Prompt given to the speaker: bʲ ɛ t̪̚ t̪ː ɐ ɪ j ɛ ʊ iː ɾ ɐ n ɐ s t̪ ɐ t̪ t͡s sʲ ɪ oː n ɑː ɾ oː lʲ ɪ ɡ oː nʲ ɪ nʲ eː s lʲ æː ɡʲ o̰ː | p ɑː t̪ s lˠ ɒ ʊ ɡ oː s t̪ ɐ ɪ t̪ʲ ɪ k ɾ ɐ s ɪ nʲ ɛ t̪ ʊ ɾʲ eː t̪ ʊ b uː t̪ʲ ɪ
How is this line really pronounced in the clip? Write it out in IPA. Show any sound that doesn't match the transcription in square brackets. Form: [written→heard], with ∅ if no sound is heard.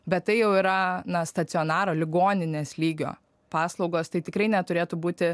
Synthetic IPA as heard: bʲ ɛ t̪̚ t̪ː ɐ ɪ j ɛ ʊ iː ɾ ɐ n ɐ s t̪ ɐ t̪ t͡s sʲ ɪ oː n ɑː ɾ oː lʲ ɪ ɡ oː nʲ ɪ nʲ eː s lʲ [æː→iː] ɡʲ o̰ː | p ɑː [t̪→∅] s lˠ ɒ ʊ ɡ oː s t̪ ɐ ɪ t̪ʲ ɪ k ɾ ɐ [s→∅] ɪ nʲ ɛ t̪ ʊ ɾʲ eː t̪ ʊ b uː t̪ʲ ɪ